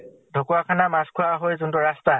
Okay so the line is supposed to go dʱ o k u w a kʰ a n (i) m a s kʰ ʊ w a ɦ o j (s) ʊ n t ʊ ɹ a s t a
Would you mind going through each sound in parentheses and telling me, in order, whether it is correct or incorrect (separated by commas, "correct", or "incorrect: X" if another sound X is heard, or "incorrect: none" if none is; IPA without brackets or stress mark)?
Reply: incorrect: a, incorrect: z